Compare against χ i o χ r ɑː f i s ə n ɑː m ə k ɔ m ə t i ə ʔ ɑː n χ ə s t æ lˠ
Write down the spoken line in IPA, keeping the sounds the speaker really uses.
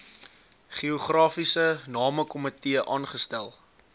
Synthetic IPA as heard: χ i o χ r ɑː f i s ə n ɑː m ə k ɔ m ə t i ə ʔ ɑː n χ ə s t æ lˠ